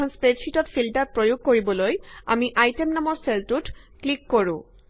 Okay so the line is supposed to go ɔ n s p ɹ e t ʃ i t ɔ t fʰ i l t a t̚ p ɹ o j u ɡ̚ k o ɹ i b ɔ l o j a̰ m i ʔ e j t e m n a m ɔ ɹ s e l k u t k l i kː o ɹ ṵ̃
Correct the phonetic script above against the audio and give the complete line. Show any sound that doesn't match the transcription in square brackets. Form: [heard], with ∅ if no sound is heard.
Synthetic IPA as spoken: ɔ n s p ɹ e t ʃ i t ɔ t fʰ i l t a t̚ p ɹ o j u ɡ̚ k o ɹ i b ɔ l o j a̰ m i ʔ [a] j t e m n a m ɔ ɹ s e l [t] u t k l i kː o ɹ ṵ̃